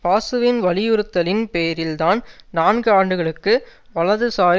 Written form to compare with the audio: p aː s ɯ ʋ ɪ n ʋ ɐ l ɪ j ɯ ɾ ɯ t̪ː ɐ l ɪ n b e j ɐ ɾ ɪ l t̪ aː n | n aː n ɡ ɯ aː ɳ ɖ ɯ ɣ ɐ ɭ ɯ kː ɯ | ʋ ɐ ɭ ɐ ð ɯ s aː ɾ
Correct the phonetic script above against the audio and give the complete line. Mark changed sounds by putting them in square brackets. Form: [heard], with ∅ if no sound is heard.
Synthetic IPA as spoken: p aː s ɯ ʋ ɪ n ʋ ɐ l ɪ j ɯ ɾ ɯ t̪ː ɐ l ɪ n [p] e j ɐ ɾ ɪ l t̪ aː n | n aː n ɡ ɯ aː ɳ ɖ ɯ ɣ ɐ ɭ ɯ kː ɯ | ʋ ɐ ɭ ɐ ð ɯ s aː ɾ